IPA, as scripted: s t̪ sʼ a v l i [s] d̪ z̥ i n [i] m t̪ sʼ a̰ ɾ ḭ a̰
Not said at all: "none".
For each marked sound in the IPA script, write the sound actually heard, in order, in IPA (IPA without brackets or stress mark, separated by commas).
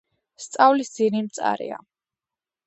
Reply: s, i